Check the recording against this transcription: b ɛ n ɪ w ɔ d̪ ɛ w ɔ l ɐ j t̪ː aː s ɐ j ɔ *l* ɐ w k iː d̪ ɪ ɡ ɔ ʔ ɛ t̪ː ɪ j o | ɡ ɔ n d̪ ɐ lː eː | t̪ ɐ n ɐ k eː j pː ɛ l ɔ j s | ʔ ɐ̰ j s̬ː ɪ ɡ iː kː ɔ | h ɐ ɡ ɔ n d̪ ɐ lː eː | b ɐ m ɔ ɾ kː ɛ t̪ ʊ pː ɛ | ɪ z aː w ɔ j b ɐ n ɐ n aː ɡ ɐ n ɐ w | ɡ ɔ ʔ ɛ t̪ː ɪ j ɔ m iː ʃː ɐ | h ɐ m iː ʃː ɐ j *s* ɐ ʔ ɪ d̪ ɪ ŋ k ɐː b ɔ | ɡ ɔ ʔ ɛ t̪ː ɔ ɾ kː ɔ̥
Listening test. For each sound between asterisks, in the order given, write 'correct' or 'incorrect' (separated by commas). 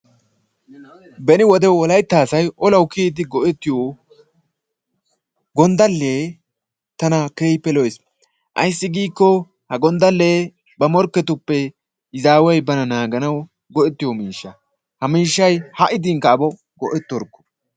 correct, incorrect